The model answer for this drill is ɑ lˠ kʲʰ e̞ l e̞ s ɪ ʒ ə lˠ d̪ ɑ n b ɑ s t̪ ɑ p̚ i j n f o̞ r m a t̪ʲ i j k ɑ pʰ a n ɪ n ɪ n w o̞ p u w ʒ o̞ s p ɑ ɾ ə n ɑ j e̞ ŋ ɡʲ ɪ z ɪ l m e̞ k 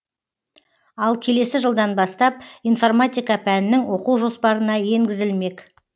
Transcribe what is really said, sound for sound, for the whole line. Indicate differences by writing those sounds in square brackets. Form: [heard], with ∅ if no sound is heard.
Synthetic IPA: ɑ lˠ kʲʰ e̞ l e̞ s ɪ ʒ ə lˠ d̪ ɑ n b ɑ s t̪ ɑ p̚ i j n f o̞ r m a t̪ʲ i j k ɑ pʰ [æ] n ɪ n ɪ [ŋ] w o̞ [q] u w ʒ o̞ s p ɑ ɾ ə n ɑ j e̞ ŋ ɡʲ ɪ z ɪ l m e̞ k